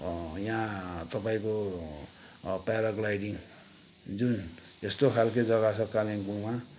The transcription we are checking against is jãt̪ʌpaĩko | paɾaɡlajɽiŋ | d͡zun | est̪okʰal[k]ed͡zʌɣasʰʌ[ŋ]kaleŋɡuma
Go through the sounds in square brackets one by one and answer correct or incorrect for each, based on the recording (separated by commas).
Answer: correct, incorrect